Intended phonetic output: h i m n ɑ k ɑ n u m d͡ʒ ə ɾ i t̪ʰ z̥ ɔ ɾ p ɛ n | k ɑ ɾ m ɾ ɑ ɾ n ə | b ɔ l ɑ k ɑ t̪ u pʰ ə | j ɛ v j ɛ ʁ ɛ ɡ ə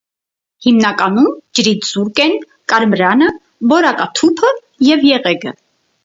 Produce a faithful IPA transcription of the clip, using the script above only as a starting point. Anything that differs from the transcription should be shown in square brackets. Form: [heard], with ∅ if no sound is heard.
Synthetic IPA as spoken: h i m n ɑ k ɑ n u m d͡ʒ ə ɾ i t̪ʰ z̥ [u] ɾ [k] ɛ n | k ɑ ɾ m ɾ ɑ [∅] n ə | b ɔ [ɾ] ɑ k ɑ [t̪ʰ] u pʰ ə | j ɛ v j ɛ ʁ ɛ ɡ ə